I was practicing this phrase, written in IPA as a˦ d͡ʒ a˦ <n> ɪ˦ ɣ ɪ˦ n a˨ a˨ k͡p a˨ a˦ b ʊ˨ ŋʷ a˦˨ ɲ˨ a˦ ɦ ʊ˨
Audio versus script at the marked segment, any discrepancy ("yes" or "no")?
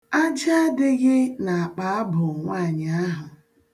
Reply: yes